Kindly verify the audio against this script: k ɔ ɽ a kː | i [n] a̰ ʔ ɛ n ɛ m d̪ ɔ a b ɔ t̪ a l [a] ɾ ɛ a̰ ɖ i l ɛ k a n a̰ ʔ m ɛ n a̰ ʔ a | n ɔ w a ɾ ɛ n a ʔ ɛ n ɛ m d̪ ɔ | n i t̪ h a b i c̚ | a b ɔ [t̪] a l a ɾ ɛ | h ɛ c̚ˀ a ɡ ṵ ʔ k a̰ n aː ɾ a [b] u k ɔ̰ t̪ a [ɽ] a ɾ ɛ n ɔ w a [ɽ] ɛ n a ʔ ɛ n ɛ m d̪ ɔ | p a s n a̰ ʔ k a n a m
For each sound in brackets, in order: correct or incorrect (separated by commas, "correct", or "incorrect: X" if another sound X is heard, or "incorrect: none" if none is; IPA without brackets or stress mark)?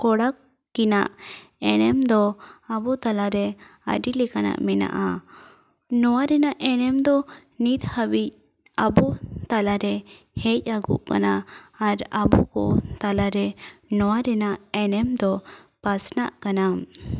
correct, correct, correct, correct, incorrect: l, incorrect: ɾ